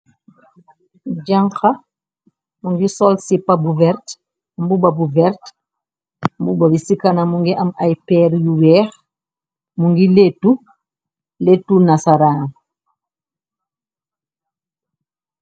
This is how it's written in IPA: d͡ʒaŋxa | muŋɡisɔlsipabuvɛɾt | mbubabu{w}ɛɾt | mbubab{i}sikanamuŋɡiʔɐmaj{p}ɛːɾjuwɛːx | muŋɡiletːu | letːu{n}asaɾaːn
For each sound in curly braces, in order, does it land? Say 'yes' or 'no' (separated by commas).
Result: no, yes, yes, yes